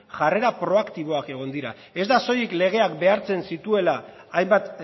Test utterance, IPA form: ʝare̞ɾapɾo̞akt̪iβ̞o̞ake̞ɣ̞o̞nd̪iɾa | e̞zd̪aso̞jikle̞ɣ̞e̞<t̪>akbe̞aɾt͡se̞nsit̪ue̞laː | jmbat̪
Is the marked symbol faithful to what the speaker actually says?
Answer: no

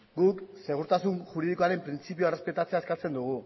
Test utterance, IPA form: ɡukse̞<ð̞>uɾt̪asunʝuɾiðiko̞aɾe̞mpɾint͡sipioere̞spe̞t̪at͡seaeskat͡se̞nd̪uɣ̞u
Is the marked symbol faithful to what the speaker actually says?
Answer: no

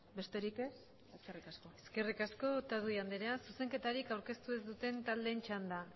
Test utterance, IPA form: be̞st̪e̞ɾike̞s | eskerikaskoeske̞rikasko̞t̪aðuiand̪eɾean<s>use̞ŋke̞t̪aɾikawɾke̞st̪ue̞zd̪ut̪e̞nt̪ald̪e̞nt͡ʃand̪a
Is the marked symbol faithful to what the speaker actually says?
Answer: yes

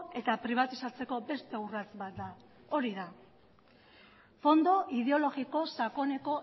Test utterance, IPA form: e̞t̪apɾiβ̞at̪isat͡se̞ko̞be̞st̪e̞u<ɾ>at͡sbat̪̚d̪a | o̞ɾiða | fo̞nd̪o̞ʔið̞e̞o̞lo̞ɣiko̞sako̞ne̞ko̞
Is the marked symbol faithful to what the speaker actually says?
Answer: no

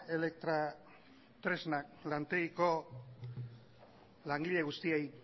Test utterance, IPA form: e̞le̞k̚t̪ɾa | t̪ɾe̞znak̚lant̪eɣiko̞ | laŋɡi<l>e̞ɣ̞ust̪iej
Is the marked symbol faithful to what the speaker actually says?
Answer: no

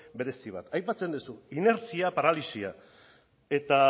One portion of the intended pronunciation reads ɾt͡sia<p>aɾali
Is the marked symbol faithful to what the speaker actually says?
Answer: yes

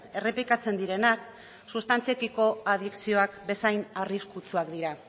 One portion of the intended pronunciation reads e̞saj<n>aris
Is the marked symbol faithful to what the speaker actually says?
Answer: yes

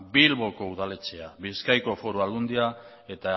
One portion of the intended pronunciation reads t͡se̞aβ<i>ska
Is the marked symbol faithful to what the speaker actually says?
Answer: yes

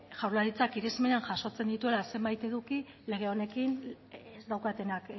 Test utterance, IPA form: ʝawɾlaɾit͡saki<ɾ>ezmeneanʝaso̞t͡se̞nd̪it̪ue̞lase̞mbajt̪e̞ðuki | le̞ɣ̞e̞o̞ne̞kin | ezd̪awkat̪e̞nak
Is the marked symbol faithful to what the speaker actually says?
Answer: yes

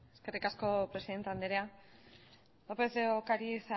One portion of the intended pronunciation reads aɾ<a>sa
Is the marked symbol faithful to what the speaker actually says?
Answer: no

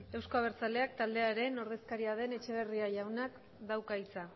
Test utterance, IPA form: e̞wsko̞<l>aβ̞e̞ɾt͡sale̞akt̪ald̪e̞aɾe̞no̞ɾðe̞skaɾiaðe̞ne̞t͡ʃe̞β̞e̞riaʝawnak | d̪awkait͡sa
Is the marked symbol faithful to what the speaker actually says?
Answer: no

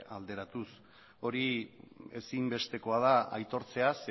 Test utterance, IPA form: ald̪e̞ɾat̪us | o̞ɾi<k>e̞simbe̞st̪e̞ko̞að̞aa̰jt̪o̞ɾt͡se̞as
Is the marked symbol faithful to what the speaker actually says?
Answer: no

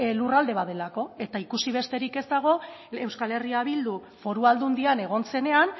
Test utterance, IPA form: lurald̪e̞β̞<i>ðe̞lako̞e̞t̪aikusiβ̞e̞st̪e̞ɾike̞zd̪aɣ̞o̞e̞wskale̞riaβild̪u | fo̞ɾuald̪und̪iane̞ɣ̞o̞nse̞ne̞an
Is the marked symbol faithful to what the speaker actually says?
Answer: no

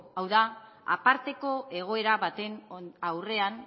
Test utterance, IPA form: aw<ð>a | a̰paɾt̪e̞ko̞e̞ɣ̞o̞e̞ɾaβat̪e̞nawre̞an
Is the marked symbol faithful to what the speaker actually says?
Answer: yes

